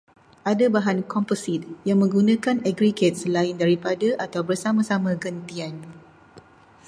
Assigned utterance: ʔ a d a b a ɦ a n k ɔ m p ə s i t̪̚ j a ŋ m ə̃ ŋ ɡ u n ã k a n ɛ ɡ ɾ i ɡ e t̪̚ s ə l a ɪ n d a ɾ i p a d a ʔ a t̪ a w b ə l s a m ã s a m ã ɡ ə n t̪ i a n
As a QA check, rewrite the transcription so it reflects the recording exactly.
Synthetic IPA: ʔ a d a b a ɦ a n k ɔ m p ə s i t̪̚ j a ŋ m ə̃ ŋ ɡ u n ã k a n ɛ ɡ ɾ i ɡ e t̪̚ s ə l a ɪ n d a ɾ i p a d a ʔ a t̪ a w b ə r s a m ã s a m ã ɡ ə n t̪ i a n

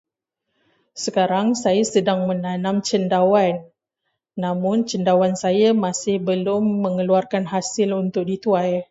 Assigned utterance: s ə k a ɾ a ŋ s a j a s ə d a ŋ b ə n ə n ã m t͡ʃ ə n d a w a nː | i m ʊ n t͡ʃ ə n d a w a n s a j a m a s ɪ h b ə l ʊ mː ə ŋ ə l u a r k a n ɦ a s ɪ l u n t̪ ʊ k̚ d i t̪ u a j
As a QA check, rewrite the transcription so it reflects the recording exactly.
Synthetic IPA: s ə k a ɾ a ŋ s a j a s ə d a ŋ m ə n a n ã m t͡ʃ ə n d a w a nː | a m ʊ n t͡ʃ ə n d a w a n s a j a m a s ɪ h b ə l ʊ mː ə ŋ ə l u a r k a n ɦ a s ɪ l u n t̪ ʊ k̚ d i t̪ u a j

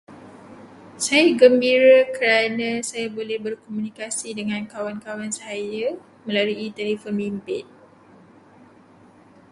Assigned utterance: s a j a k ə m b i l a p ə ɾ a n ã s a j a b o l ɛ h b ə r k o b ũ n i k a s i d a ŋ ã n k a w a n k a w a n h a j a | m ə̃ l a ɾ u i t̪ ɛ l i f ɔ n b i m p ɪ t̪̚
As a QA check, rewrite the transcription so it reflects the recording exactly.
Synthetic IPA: s a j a ɡ ə m b i ɾ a k ə ɾ a n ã s a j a b o l ɛ h b ə r k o m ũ n i k a s i d ə ŋ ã n k a w a n k a w a n s a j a | m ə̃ l a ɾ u i t̪ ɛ l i f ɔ n b i m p ɪ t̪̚

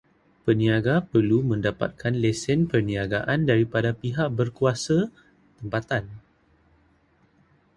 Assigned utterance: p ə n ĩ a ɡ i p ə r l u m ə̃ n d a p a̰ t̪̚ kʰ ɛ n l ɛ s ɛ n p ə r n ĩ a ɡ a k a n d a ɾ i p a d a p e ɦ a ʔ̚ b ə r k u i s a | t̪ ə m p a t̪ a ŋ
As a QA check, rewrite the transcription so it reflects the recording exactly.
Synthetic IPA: p ə n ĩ a ɡ a p ə r l u m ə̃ n d a p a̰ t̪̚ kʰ a n l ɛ s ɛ n p ə r n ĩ a ɡ a ʔ a n d a ɾ i p a d a p i ɦ a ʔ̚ b ə r k u a s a | t̪ ə m p a t̪ a n

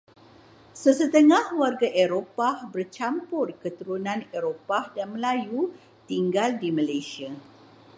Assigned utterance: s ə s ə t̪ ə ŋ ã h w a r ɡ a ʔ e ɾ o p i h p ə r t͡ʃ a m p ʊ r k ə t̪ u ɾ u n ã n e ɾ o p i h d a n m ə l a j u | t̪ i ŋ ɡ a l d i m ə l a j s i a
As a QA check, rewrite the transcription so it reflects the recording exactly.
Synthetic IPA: s ə s ə t̪ ə ŋ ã h w a r ɡ a ʔ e ɾ o p a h b ə r t͡ʃ a m p ʊ r k ə t̪ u ɾ u n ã n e ɾ o p a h d a n m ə l a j u | t̪ i ŋ ɡ a l d i m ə l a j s i a

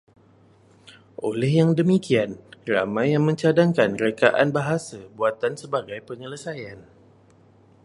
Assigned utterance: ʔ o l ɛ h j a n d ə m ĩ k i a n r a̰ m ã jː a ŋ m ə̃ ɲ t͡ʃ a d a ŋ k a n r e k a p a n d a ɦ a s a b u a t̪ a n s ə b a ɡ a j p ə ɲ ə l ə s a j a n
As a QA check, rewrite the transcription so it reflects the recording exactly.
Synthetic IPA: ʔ o l ɛ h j a ŋ d ə m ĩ k i a n r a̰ m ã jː a ŋ m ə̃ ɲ t͡ʃ a d a ŋ k a n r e k a ʔ a n b a ɦ a s a b u a t̪ a n s ə b a ɡ a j p ə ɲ ə l ə s a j a n

